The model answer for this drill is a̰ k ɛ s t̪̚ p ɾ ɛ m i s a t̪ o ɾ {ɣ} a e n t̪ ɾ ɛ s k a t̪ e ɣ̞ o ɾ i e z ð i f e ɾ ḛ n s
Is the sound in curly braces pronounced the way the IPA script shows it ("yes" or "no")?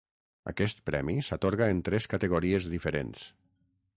yes